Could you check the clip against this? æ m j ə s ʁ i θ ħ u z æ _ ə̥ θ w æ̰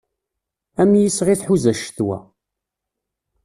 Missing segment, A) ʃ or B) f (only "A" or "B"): A